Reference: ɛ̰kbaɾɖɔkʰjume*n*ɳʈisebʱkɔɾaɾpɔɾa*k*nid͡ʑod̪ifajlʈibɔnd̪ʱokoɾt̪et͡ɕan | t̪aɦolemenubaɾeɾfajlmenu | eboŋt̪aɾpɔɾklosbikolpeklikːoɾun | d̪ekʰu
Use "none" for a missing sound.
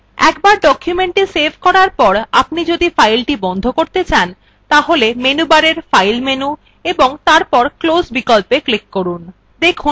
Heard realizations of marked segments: none, p

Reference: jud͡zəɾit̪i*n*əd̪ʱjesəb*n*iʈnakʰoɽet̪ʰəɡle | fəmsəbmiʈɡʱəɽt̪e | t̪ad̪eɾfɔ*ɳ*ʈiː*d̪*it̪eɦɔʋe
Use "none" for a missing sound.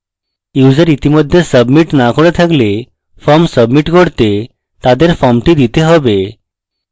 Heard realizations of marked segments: m, m, m, d̪

